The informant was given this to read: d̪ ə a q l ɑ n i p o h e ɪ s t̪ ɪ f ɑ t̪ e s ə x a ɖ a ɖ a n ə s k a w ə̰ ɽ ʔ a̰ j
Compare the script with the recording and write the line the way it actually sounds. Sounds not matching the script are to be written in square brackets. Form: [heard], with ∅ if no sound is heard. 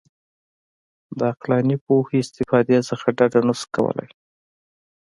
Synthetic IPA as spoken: d̪ ə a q l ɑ n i p o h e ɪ s t̪ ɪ f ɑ [d̪] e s ə x a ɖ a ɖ a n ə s k a w ə̰ [l] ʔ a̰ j